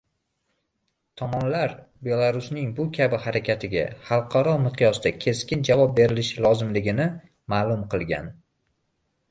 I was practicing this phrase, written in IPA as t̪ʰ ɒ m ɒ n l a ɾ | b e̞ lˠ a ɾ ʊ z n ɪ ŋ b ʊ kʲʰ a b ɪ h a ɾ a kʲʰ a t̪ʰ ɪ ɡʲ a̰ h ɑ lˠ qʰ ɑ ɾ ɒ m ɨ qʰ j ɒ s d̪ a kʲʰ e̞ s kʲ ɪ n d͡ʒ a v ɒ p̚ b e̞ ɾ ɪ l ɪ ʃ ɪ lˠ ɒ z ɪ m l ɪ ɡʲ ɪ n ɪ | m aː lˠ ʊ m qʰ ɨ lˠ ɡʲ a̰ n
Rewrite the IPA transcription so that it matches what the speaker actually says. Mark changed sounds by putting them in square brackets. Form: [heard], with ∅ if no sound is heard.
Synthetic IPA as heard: t̪ʰ ɒ m ɒ n l a ɾ | b e̞ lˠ a ɾ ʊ [s] n ɪ ŋ b ʊ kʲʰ a b ɪ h a ɾ a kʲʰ a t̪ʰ ɪ ɡʲ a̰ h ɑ lˠ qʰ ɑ ɾ ɒ m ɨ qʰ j ɒ s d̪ a kʲʰ e̞ s kʲ ɪ n d͡ʒ a v ɒ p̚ b e̞ ɾ ɪ l ɪ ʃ ɪ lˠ ɒ z ɪ m l ɪ ɡʲ ɪ n ɪ | m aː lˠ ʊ m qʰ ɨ lˠ ɡʲ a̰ n

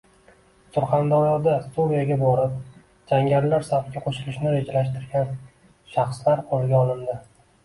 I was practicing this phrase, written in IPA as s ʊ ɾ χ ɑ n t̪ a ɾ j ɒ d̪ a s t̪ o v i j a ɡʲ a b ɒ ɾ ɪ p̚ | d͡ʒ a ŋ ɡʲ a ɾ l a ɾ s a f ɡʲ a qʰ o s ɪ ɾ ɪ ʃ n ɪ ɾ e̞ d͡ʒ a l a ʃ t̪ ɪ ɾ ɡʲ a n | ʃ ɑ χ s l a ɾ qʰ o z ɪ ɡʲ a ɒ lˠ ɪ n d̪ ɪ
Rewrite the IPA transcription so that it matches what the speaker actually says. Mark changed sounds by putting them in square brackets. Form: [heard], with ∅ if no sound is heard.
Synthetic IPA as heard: s ʊ ɾ χ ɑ n [d̪] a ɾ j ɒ d̪ a s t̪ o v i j a ɡʲ a b ɒ ɾ ɪ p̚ | d͡ʒ a ŋ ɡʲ a ɾ l a ɾ s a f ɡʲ a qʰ o [ʃ] ɪ [l] ɪ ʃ n ɪ ɾ e̞ d͡ʒ a l a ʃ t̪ ɪ ɾ ɡʲ a n | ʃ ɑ χ s l a ɾ qʰ o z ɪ ɡʲ a ɒ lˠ ɪ n d̪ ɪ

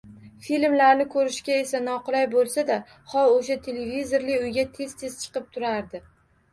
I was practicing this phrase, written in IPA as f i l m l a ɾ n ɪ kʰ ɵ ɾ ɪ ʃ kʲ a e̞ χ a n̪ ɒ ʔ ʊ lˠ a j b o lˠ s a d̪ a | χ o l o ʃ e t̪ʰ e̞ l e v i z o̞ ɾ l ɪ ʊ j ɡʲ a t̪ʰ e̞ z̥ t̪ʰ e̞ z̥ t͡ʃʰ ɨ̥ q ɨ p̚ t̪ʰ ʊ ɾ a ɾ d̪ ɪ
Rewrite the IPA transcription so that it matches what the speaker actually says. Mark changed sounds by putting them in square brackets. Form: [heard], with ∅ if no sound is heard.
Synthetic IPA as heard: f i l m l a ɾ n ɪ kʰ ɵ ɾ ɪ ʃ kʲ a e̞ [s] a n̪ ɒ [q] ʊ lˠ a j b o lˠ s a d̪ a | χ [ɒ] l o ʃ [a] t̪ʰ e̞ l e v i z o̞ ɾ l ɪ ʊ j ɡʲ a t̪ʰ e̞ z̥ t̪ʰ e̞ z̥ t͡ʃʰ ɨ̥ q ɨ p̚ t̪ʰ ʊ ɾ a ɾ d̪ ɪ

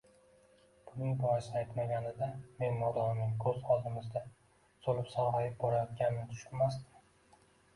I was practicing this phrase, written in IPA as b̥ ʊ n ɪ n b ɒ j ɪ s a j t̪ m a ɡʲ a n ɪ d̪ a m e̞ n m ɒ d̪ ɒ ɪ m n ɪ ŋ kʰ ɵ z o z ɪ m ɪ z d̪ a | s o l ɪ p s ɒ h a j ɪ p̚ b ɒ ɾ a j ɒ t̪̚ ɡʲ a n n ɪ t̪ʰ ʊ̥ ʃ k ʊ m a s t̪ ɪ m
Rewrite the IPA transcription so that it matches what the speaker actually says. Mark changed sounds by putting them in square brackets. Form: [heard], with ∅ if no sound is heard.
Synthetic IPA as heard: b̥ ʊ n ɪ [ŋ] b ɒ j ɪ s a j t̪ m a ɡʲ a n ɪ d̪ a m e̞ n m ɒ d̪ ɒ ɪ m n ɪ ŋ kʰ ɵ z [ɒ] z ɪ m ɪ z d̪ a | s o l ɪ p s ɒ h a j ɪ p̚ b ɒ ɾ a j ɒ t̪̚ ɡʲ a n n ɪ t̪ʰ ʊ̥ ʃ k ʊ m a s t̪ ɪ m

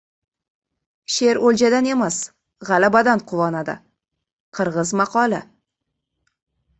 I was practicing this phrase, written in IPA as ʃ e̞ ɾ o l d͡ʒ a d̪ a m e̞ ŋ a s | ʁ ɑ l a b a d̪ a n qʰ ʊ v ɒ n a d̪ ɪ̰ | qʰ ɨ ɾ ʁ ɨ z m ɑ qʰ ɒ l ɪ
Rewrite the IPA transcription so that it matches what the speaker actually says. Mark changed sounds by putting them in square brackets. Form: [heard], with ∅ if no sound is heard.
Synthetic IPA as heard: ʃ e̞ ɾ o l d͡ʒ a d̪ a [n] e̞ [m] a s | ʁ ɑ l a b a d̪ a n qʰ ʊ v ɒ n a d̪ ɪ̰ | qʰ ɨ ɾ ʁ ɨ z m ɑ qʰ ɒ l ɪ

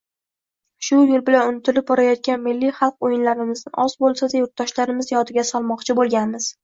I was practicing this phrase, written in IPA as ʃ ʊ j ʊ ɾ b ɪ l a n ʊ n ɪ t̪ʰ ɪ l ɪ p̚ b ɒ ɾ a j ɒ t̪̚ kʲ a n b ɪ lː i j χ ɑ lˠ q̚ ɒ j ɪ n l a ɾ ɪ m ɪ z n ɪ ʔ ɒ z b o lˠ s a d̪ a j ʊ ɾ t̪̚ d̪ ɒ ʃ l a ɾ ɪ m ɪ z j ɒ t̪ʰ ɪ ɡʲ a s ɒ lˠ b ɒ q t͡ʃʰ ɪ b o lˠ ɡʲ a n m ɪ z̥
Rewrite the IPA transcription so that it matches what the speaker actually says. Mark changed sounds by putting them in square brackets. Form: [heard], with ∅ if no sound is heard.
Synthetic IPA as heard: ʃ ʊ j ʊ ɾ b ɪ l a n ʊ n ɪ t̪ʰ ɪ l ɪ p̚ b ɒ ɾ a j ɒ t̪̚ kʲ a n [m] ɪ lː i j χ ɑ lˠ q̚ [o] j ɪ n l a ɾ ɪ m ɪ z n ɪ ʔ ɒ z b o lˠ s a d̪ a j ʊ ɾ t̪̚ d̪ ɒ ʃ l a ɾ ɪ m ɪ z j ɒ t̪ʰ ɪ ɡʲ a s ɒ lˠ [m] ɒ q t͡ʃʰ ɪ b o lˠ ɡʲ a n m ɪ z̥

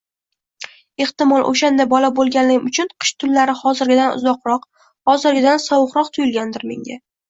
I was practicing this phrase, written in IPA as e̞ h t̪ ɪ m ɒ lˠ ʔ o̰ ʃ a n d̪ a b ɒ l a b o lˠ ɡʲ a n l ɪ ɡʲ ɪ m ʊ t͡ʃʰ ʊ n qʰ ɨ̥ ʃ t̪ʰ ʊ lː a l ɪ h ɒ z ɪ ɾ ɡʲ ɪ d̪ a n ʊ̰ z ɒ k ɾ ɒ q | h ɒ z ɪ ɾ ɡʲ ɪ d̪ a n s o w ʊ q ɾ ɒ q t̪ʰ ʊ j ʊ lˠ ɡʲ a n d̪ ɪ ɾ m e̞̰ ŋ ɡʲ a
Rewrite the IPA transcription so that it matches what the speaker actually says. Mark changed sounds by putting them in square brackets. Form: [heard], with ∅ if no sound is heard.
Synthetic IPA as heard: e̞ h t̪ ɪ m ɒ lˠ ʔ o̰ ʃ a n d̪ a b ɒ l a b o lˠ ɡʲ a n l ɪ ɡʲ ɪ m ʊ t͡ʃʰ ʊ n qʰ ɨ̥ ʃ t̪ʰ ʊ lː a [ɾ] ɪ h ɒ z ɪ ɾ ɡʲ ɪ d̪ a n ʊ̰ z ɒ [q] ɾ ɒ q | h ɒ z ɪ ɾ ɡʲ ɪ d̪ a n s [ɒ] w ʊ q ɾ ɒ q t̪ʰ ʊ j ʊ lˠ ɡʲ a n d̪ ɪ ɾ m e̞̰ ŋ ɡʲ a

